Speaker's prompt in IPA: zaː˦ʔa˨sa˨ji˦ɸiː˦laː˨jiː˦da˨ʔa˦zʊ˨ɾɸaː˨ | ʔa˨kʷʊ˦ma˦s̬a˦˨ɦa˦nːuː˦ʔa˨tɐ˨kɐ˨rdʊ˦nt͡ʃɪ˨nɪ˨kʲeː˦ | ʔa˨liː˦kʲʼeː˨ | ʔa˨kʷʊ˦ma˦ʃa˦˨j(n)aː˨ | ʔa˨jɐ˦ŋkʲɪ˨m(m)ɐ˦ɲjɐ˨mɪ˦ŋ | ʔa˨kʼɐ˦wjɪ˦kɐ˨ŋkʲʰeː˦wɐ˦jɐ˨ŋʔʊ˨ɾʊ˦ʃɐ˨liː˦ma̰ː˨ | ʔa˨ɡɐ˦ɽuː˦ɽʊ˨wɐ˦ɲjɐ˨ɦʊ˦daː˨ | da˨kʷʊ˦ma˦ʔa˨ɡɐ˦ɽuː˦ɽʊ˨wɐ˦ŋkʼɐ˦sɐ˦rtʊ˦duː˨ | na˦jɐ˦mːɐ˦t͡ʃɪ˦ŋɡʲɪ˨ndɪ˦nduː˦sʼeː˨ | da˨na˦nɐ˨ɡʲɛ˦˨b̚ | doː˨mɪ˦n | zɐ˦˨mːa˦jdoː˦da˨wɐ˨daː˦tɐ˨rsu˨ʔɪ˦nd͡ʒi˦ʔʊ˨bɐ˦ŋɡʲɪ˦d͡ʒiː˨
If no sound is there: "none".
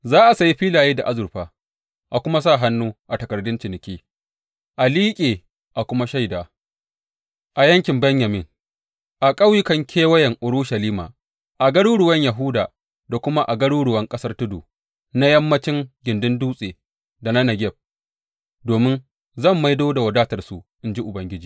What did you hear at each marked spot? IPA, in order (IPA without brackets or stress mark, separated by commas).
d, b